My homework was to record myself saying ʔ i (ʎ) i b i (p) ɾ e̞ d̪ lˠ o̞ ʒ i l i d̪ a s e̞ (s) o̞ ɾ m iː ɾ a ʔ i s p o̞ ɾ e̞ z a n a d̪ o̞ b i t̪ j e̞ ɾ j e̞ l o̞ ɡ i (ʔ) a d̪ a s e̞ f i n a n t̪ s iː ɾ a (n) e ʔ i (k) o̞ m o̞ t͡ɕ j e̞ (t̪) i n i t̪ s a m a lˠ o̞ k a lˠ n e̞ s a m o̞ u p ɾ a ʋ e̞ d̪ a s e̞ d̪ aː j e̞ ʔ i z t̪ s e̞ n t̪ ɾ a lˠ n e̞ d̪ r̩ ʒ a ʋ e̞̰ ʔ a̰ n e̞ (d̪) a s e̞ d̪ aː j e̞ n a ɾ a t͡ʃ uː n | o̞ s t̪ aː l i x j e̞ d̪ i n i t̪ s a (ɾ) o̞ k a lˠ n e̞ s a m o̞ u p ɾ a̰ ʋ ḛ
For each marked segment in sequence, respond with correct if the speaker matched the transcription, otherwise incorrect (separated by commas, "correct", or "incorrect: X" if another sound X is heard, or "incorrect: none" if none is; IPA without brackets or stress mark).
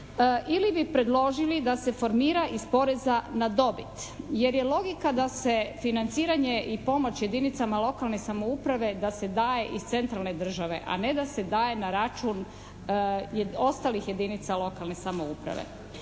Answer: incorrect: l, correct, incorrect: f, incorrect: k, incorrect: ɲ, incorrect: p, incorrect: d̪, correct, incorrect: l